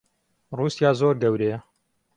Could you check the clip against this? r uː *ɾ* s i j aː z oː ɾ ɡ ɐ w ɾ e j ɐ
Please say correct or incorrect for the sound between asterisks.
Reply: incorrect: none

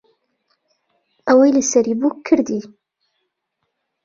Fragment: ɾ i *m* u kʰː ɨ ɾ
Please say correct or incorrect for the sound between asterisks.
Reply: incorrect: b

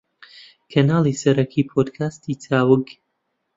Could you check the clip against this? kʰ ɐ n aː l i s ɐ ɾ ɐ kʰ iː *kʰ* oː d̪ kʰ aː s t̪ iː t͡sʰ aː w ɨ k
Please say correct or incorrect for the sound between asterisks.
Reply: incorrect: pʰ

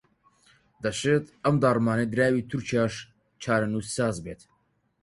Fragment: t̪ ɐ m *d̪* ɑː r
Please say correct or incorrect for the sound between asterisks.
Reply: correct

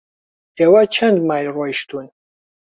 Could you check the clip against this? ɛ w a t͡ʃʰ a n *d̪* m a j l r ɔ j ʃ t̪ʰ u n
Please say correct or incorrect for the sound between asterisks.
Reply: correct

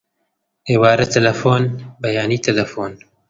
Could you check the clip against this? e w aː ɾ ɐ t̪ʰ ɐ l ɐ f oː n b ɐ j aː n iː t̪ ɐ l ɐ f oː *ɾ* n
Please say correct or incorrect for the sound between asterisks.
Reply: incorrect: none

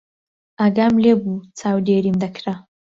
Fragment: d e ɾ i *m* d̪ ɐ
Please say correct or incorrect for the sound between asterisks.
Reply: correct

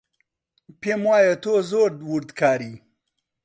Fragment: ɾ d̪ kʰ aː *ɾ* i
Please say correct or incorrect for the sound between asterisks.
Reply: correct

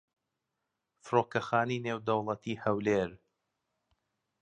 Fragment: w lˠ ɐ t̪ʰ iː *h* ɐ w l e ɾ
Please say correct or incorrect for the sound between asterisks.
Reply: correct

